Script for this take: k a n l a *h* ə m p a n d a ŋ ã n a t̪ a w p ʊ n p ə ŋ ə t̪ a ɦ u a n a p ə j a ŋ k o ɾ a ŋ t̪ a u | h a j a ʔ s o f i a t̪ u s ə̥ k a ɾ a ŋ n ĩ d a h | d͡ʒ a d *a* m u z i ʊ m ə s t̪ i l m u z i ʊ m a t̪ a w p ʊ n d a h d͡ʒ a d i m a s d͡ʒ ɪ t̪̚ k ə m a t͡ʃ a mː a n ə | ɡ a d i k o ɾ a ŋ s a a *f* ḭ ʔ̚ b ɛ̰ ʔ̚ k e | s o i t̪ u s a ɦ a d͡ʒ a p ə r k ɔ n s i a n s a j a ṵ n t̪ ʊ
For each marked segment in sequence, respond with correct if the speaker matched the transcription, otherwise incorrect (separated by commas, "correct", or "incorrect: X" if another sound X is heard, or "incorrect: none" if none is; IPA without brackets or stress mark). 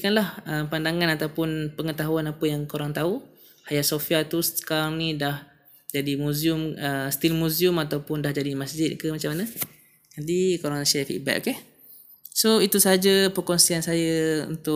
correct, incorrect: i, correct